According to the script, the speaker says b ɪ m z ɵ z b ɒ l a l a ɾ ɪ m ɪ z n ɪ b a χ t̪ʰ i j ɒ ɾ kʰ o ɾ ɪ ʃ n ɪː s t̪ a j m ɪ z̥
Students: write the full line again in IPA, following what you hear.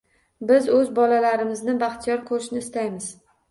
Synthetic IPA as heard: b ɪ z ɵ z b ɒ l a l a ɾ ɪ m ɪ z n ɪ b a χ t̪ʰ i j ɒ ɾ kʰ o ɾ ɪ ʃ n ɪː s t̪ a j m ɪ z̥